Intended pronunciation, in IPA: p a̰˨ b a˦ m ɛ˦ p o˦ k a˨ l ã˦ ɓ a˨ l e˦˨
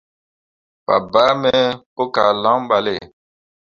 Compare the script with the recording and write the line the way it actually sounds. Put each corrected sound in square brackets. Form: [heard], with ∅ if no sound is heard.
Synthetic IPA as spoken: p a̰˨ b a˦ m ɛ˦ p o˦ k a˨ l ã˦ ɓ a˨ l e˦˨